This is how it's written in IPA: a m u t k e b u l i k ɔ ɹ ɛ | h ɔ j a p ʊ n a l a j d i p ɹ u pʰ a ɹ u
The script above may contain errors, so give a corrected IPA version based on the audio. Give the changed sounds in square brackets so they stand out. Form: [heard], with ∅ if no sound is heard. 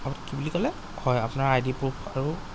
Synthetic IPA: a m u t k [i] b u l i k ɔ [l] ɛ | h ɔ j a p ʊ n a [ɹ] a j d i p ɹ u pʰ a ɹ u